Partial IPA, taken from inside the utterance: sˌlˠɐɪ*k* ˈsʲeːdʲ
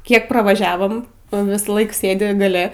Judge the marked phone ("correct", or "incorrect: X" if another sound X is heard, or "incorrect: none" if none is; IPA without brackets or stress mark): correct